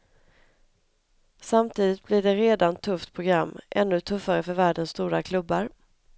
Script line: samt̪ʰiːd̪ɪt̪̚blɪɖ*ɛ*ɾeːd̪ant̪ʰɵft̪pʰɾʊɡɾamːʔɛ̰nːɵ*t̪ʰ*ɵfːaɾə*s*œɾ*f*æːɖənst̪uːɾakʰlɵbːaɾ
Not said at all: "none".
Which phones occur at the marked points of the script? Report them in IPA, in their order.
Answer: ɛ, t̪ʰ, f, v

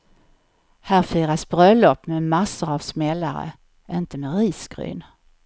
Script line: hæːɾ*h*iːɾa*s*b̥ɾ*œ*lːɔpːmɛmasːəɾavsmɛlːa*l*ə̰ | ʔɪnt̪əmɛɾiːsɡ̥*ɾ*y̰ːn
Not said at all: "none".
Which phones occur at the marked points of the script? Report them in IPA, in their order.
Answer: f, s, œ, ɾ, ɾ

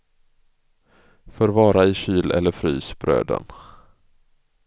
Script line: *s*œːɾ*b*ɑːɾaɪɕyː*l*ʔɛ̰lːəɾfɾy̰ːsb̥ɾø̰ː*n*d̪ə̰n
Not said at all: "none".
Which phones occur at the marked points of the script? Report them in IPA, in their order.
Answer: f, v, l, none

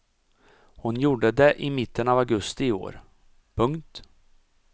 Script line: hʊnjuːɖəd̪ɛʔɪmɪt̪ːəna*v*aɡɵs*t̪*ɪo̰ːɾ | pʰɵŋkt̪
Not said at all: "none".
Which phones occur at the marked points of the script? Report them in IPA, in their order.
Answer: v, t̪

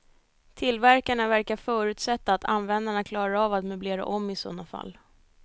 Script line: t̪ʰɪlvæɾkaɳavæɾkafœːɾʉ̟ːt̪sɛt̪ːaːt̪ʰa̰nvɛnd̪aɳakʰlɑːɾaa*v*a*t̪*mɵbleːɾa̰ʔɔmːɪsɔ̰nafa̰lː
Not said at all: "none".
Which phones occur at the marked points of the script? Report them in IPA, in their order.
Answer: v, t̪

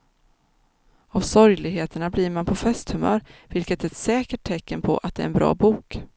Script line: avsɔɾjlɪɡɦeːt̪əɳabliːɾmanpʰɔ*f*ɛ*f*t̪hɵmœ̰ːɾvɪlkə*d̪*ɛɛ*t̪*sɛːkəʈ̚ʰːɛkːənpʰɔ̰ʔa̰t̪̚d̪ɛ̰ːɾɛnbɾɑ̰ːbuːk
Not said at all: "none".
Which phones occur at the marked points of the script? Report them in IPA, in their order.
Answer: f, s, t̪, t̪

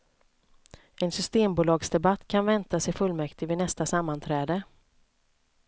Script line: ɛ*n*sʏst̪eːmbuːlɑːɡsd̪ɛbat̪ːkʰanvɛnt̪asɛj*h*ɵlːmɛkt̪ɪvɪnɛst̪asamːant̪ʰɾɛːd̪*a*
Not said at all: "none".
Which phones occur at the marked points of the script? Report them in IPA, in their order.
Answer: n, f, ə

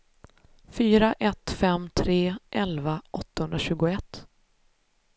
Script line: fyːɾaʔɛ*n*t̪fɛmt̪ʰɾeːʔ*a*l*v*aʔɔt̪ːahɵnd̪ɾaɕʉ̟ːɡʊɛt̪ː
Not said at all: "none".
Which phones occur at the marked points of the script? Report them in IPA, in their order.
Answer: none, ɛ, v

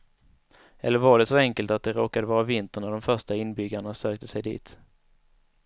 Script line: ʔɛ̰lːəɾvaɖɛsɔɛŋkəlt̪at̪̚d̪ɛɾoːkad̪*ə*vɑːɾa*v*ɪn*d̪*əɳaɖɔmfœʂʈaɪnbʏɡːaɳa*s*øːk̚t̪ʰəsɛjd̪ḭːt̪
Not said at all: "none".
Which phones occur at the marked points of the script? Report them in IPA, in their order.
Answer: ə, v, t̪, s

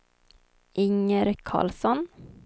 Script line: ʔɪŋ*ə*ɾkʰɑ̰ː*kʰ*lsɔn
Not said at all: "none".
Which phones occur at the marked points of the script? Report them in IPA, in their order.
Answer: ə, none

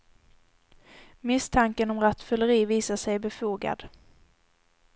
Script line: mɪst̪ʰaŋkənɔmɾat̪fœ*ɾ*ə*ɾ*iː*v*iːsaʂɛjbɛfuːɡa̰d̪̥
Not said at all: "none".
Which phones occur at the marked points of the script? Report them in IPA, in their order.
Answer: l, ɾ, v

